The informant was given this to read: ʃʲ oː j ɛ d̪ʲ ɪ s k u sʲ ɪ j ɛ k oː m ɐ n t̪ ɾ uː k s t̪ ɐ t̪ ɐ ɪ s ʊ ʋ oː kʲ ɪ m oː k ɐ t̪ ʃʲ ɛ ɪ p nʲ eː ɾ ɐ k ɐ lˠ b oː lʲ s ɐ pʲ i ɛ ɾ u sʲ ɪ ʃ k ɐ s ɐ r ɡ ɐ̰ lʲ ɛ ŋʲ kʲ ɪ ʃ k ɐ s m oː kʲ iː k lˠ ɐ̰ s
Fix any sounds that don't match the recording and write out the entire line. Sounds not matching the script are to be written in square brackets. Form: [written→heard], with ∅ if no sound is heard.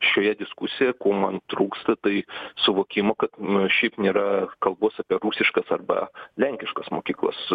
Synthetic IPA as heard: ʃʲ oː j ɛ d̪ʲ ɪ s k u sʲ ɪ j ɛ k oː m ɐ n t̪ ɾ uː k s t̪ ɐ t̪ ɐ ɪ s ʊ ʋ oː kʲ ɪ m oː k ɐ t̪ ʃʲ ɛ ɪ p nʲ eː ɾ ɐ k ɐ lˠ b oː [lʲ→∅] s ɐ pʲ i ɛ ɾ u sʲ ɪ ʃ k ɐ s ɐ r [ɡ→b] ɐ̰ lʲ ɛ ŋʲ kʲ ɪ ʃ k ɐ s m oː kʲ iː k lˠ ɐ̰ s